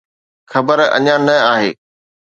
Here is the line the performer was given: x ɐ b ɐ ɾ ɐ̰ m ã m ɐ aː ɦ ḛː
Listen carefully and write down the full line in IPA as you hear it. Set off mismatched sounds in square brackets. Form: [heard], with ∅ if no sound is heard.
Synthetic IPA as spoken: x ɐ b [ə] ɾ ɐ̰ [ɲ] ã [n] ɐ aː ɦ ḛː